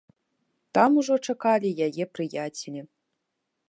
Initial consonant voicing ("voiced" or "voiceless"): voiceless